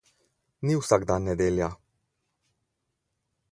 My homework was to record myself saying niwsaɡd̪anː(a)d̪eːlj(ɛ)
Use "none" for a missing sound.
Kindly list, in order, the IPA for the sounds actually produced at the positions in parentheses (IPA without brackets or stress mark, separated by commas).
ɛ, a